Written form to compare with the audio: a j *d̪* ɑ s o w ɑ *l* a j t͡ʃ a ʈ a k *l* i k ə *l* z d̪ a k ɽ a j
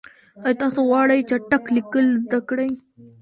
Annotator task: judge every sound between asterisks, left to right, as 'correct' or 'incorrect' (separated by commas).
incorrect, incorrect, correct, correct